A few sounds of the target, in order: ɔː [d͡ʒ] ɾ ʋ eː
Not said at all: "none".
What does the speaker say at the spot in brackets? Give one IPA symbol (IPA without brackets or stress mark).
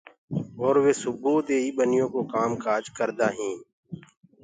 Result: none